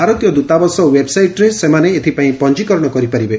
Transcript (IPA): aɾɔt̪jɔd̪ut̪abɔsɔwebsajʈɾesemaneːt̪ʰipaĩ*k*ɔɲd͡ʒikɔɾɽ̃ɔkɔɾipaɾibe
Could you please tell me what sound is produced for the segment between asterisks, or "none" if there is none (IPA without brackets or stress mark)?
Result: p